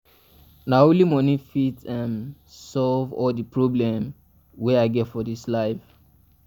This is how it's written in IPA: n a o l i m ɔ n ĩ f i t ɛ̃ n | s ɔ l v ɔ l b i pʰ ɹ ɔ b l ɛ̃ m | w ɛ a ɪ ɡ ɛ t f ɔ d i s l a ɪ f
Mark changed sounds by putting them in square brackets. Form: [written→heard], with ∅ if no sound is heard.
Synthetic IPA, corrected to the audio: n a o l i m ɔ n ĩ f i t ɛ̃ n | s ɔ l v ɔ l [b→d] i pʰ ɹ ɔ b l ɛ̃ m | w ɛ a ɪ ɡ ɛ t f ɔ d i s l a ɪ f